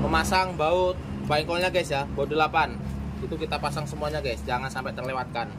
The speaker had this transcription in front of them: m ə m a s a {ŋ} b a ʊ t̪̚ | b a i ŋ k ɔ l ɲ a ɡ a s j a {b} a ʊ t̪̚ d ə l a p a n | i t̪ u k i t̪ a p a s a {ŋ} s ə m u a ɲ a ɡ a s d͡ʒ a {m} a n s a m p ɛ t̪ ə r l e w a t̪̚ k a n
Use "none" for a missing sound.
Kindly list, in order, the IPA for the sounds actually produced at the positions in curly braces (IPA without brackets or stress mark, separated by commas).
ŋ, b, ŋ, ŋ